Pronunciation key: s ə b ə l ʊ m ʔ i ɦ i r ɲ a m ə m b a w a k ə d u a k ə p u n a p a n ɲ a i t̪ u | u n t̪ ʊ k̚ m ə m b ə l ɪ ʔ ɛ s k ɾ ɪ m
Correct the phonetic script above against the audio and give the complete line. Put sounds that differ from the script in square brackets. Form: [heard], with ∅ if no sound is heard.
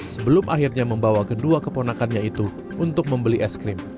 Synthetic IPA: s ə b ə l ʊ m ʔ [a] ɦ i r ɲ a m ə m b a w a k ə d u a k ə p [o] n a [k] a n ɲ a i t̪ u | u n t̪ ʊ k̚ m ə m b ə l [i] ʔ ɛ s k ɾ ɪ m